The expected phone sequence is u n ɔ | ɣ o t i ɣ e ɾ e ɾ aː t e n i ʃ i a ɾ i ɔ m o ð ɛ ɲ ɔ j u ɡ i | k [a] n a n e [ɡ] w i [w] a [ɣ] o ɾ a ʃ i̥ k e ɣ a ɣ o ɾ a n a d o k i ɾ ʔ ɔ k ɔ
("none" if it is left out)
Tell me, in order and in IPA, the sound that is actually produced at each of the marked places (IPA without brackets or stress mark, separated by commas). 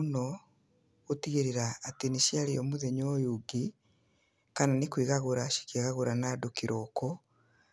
a, k, ɣ, ɣ